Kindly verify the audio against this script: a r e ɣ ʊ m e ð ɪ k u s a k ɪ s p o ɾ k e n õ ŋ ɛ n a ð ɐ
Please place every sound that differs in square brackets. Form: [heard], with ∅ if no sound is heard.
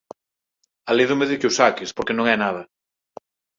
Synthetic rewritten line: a [l] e [ð] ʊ m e ð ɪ k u s a k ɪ s p o ɾ k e n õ ŋ ɛ n a ð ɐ